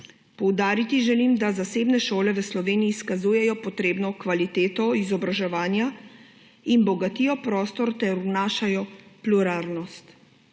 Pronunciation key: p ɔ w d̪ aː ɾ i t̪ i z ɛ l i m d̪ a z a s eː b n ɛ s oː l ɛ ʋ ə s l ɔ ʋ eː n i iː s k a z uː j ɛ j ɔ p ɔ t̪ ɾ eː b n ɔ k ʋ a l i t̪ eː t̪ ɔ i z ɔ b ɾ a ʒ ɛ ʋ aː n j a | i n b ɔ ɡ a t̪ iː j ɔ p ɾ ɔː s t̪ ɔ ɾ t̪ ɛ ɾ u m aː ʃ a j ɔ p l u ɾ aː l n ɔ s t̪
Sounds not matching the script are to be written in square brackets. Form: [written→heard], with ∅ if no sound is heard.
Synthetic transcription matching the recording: p ɔ w d̪ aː ɾ i t̪ i [z→ʒ] ɛ l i m d̪ a z a s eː b n ɛ [s→ʃ] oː l ɛ ʋ ə s l ɔ ʋ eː n i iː s k a z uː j ɛ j ɔ p ɔ t̪ ɾ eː b n ɔ k ʋ a l i t̪ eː t̪ ɔ i z ɔ b ɾ a ʒ ɛ ʋ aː n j a | i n b ɔ ɡ a t̪ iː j ɔ p ɾ ɔː s t̪ ɔ ɾ t̪ ɛ ɾ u [m→n] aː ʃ a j ɔ p l u ɾ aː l n ɔ s t̪